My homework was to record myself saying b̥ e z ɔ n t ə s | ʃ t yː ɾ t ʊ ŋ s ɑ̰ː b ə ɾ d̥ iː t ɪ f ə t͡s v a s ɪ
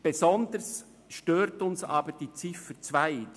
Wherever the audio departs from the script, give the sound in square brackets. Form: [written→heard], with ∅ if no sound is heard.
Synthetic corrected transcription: b̥ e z ɔ n [t→d] ə s | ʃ t [yː→øː] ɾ t ʊ [ŋ→n] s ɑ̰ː b ə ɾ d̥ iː [t→t͡s] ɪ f ə t͡s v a [s→∅] ɪ